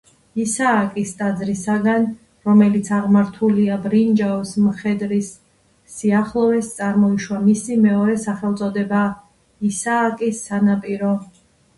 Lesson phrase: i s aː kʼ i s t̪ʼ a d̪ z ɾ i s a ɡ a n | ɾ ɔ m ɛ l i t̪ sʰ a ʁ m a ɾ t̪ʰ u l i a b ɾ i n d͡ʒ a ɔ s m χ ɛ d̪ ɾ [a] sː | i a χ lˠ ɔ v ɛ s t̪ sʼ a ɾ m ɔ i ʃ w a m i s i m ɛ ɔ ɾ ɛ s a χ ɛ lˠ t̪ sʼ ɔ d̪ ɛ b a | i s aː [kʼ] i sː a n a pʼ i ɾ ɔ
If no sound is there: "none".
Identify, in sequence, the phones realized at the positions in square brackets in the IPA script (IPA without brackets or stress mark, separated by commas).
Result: i, kʼ